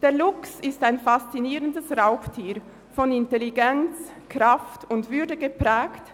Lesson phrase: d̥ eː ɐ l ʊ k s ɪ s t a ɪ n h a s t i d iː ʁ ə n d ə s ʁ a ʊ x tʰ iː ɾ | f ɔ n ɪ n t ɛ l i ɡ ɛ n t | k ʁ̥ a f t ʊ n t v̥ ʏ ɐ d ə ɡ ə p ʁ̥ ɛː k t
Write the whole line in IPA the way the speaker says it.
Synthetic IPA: d̥ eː ɐ l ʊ k s ɪ s t a ɪ n f a s t͡s i n iː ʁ ə n d ə s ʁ a ʊ x tʰ iː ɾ | f ɔ n ɪ n t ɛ l i ɡ ɛ n t͡s | k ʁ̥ a f t ʊ n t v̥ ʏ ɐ d ə ɡ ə p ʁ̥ ɛː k t